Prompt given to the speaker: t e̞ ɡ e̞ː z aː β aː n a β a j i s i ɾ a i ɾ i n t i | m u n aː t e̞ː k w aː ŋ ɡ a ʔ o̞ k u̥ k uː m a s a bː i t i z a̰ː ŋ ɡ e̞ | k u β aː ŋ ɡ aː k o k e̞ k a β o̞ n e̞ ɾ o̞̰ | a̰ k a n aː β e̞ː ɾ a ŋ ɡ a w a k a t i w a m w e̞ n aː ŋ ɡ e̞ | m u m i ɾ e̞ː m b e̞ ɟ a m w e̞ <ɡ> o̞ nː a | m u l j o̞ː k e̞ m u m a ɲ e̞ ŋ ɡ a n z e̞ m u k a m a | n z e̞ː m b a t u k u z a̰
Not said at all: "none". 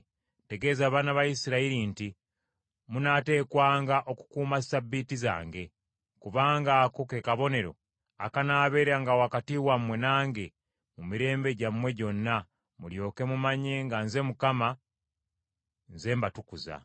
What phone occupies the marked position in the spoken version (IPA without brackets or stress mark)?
ɟ